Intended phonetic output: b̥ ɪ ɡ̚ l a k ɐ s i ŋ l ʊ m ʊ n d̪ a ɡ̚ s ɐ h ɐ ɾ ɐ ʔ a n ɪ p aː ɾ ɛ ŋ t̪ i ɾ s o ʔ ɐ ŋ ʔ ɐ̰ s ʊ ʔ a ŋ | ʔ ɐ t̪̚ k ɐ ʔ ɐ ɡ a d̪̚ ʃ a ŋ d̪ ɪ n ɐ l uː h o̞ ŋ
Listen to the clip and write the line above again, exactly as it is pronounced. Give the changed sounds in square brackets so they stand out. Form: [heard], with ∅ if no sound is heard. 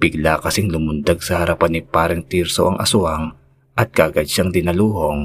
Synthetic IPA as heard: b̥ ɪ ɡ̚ l a k ɐ s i ŋ l ʊ m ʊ n d̪ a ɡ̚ s ɐ h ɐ ɾ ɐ [p] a n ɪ p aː ɾ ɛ ŋ t̪ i ɾ s o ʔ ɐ ŋ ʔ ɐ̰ s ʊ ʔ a ŋ | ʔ ɐ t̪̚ k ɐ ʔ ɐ ɡ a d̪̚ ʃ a ŋ d̪ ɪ n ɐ l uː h o̞ ŋ